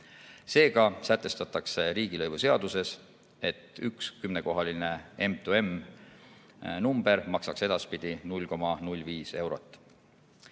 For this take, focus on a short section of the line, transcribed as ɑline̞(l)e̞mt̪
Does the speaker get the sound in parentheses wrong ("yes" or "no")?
yes